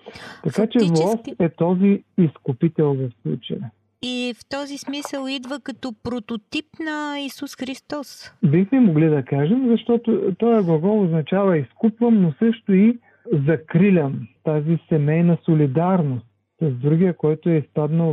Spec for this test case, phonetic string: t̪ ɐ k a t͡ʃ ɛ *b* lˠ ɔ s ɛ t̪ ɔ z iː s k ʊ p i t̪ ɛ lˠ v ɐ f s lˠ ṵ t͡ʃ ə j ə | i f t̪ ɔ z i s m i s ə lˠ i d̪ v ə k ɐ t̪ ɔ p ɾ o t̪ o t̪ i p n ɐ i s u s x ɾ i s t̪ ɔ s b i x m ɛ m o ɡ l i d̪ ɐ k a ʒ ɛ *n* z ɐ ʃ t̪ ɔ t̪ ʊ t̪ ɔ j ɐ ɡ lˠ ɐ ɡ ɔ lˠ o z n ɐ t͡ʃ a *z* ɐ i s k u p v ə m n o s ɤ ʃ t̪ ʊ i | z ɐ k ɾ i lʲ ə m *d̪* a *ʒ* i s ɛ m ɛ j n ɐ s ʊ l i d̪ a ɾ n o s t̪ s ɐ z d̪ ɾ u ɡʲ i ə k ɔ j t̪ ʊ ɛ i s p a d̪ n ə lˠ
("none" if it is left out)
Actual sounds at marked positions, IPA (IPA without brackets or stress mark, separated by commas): v, m, v, t̪, z